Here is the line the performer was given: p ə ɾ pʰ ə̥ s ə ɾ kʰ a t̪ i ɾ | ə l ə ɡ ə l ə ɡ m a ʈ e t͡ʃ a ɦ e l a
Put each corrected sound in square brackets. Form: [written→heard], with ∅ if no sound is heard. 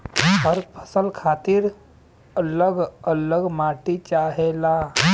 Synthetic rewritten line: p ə ɾ pʰ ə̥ s ə [ɾ→l] kʰ a t̪ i ɾ | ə l ə ɡ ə l ə ɡ m a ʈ [e→i] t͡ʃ a ɦ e l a